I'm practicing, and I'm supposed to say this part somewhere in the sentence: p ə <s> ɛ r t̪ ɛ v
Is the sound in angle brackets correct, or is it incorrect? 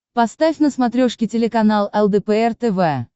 incorrect